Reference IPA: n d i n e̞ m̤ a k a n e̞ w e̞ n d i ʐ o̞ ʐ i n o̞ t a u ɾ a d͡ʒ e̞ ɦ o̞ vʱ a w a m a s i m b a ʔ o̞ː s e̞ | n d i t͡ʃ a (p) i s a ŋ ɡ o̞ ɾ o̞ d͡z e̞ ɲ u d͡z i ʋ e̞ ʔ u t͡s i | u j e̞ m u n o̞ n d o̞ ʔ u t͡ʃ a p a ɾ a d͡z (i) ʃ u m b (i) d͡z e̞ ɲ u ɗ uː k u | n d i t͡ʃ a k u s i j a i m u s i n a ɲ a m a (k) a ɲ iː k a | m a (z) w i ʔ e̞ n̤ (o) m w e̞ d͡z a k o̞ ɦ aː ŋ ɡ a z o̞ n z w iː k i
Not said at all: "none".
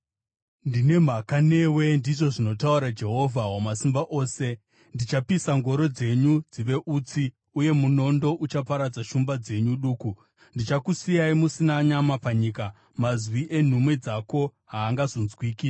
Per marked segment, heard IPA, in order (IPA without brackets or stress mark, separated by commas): p, a, a, p, z, u